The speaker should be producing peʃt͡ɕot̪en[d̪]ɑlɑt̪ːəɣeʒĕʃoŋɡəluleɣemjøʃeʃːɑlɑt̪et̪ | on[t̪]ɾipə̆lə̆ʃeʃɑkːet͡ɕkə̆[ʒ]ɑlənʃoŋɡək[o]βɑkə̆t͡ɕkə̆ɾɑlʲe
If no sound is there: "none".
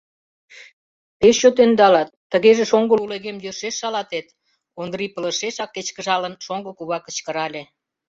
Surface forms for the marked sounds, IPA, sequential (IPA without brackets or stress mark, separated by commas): d̪, d̪, ʒ, u